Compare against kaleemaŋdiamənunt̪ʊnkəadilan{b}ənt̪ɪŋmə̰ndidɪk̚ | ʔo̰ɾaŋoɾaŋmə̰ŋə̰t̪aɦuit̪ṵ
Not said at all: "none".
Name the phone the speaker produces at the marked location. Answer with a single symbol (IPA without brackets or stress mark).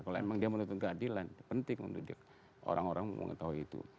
p